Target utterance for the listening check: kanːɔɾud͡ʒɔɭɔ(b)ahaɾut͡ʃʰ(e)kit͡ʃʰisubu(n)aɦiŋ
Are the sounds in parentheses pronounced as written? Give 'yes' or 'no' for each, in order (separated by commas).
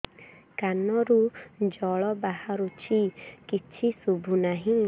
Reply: yes, no, yes